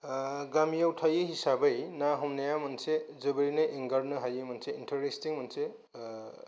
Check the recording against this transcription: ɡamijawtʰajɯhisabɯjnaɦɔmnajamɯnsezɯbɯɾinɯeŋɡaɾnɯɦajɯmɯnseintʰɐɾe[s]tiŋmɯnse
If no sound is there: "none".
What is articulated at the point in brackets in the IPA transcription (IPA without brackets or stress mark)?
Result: s